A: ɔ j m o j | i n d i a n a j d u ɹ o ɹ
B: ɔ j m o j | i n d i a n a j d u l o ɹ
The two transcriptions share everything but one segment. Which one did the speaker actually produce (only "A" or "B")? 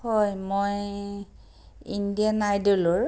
B